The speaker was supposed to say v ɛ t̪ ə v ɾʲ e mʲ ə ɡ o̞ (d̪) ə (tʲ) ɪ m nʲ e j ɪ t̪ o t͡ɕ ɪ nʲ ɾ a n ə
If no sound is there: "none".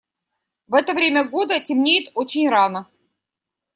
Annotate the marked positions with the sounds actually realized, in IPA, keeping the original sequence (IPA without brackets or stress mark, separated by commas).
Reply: d̪, tʲ